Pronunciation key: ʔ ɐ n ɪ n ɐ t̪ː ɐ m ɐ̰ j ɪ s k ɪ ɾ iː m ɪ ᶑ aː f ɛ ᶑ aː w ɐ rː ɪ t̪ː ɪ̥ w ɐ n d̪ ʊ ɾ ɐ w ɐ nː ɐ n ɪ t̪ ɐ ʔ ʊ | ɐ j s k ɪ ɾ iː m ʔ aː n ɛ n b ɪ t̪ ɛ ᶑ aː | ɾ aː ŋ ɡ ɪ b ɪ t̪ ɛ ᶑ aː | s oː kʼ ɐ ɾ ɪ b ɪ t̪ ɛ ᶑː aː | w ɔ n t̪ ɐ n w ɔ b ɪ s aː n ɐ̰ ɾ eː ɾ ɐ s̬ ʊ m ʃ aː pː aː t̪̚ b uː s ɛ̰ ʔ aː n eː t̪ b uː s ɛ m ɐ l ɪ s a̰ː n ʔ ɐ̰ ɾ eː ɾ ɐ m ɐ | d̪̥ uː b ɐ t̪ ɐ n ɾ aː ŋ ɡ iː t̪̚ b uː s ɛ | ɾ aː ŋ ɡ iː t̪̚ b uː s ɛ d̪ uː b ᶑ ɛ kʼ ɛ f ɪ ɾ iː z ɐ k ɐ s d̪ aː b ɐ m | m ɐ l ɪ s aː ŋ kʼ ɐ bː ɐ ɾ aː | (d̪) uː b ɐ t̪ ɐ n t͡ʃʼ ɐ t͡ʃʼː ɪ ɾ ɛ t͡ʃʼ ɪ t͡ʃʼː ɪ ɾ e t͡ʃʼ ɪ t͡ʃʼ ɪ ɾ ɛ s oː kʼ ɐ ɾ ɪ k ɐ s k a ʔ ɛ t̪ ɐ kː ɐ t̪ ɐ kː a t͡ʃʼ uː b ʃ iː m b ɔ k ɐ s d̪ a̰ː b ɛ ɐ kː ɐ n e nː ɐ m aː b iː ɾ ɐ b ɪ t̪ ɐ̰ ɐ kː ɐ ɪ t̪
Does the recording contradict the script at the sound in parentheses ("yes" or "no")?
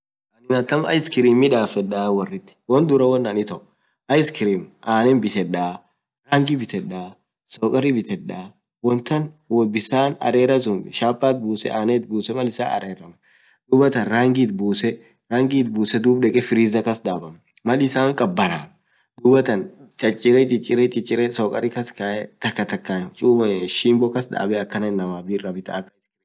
no